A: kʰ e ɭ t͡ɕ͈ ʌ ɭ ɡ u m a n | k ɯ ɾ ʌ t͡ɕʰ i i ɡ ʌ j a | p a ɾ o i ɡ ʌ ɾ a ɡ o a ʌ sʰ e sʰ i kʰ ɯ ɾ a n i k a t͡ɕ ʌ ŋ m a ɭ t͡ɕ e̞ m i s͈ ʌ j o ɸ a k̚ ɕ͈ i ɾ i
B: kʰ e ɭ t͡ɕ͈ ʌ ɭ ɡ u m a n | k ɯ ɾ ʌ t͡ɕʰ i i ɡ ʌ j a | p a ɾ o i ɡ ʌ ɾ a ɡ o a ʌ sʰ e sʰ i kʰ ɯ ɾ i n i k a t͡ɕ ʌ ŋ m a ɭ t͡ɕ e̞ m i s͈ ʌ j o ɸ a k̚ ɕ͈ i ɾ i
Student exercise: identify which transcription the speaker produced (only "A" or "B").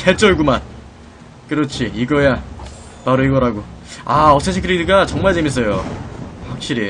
B